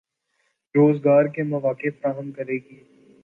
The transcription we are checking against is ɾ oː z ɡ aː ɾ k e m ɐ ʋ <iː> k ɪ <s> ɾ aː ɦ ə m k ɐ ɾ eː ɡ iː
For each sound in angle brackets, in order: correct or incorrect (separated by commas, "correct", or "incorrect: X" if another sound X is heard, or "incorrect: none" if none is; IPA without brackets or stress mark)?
incorrect: aː, incorrect: f